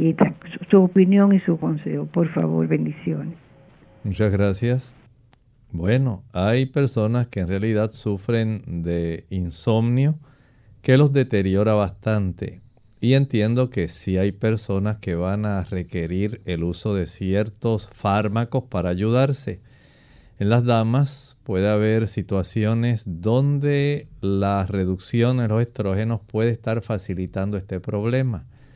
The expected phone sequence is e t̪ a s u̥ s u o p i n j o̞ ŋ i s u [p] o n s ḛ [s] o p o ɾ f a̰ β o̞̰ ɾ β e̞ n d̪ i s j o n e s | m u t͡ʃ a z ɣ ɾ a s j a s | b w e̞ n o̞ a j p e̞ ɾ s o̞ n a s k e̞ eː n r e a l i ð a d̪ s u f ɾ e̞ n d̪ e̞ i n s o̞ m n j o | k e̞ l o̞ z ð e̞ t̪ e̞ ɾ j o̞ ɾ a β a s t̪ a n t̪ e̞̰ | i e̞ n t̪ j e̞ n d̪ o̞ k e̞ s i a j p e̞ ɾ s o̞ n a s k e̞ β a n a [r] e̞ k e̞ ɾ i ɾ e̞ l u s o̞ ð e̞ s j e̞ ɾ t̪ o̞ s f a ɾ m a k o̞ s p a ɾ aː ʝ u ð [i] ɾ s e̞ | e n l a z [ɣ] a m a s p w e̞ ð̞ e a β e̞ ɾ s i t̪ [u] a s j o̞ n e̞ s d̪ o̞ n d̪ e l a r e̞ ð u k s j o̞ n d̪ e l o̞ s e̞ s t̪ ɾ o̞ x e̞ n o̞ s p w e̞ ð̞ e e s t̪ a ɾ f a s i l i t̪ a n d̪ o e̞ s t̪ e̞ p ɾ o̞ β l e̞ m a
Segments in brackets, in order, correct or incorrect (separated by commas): incorrect, incorrect, correct, incorrect, incorrect, incorrect